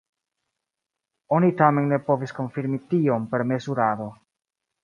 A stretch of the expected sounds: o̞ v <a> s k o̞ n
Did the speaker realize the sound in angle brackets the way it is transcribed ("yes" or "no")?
no